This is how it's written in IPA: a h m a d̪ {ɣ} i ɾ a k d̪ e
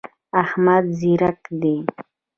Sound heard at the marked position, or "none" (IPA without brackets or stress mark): z